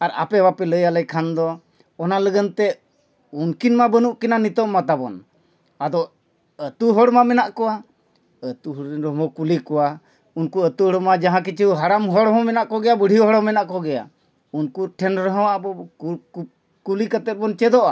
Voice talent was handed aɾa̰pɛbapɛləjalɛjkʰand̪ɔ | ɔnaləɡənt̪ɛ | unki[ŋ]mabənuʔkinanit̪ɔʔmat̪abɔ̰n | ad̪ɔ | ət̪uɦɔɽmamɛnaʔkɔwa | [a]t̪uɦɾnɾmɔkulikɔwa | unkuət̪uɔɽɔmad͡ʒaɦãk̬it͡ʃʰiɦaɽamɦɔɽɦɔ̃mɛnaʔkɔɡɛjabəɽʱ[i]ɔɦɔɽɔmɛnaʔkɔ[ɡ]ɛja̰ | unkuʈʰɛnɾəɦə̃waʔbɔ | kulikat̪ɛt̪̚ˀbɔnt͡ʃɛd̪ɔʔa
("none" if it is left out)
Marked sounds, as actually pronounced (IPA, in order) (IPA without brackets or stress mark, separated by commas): n, ə, i, ɡ